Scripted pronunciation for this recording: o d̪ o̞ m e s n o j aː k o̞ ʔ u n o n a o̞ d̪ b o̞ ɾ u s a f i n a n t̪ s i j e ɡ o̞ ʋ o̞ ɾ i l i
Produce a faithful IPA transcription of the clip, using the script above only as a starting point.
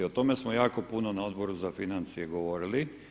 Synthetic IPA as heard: o t̪ o̞ m e s m o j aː k o̞ p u n o n a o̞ d̪ b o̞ ɾ u z a f i n a n t̪ s i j e ɡ o̞ ʋ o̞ ɾ i l i